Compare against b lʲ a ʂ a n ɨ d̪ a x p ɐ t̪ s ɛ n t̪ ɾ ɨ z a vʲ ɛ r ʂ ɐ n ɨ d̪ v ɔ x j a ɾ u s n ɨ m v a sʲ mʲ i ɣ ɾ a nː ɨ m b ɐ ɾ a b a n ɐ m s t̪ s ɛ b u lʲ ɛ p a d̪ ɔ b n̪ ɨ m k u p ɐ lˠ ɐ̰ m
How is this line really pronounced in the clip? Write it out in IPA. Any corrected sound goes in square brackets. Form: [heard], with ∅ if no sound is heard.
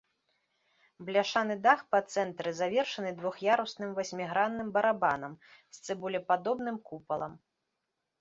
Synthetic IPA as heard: b lʲ a ʂ a n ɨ d̪ a x p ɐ t̪ s ɛ n t̪ ɾ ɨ z a vʲ ɛ r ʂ ɐ n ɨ d̪ v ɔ x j a ɾ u s n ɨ m v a sʲ mʲ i ɣ ɾ a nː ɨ m b ɐ ɾ a b a n ɐ m s t̪ s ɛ b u lʲ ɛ p a d̪ ɔ b n̪ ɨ m k u p ɐ lˠ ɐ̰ m